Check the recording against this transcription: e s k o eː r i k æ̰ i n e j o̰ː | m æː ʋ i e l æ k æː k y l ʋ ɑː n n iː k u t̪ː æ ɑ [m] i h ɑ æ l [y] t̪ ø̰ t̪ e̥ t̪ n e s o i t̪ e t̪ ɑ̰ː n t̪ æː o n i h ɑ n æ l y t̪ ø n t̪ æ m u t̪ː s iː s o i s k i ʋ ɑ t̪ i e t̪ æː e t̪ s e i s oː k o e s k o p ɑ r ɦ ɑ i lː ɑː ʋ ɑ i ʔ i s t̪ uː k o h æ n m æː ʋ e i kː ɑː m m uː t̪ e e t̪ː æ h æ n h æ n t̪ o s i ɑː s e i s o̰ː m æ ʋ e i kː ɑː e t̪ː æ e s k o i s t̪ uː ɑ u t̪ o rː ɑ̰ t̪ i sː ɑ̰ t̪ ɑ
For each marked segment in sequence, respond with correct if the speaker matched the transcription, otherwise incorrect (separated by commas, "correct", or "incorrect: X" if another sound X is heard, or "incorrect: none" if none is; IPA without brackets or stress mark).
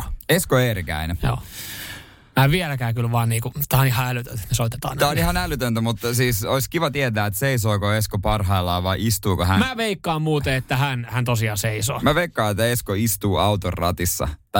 incorrect: n, correct